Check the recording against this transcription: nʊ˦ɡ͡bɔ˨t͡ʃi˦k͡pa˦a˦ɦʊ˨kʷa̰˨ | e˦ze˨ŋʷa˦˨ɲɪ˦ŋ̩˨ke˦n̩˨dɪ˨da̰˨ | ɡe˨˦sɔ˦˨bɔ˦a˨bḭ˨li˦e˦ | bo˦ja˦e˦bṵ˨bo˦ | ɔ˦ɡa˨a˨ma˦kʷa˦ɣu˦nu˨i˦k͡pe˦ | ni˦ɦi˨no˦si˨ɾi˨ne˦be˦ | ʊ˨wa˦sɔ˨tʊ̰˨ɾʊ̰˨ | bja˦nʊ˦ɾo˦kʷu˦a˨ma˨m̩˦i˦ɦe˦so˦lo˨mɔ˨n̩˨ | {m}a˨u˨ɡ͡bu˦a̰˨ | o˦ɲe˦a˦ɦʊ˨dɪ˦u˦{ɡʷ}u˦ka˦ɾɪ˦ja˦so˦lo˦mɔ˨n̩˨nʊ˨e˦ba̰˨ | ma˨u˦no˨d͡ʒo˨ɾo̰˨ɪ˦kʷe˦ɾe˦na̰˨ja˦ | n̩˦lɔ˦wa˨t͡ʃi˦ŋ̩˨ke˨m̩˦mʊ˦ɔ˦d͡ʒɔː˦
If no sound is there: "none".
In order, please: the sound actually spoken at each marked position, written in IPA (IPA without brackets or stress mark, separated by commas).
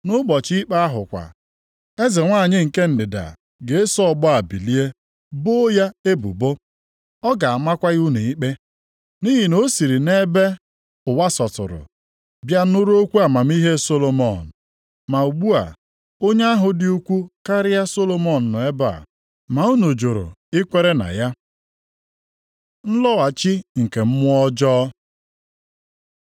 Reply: m, kʷ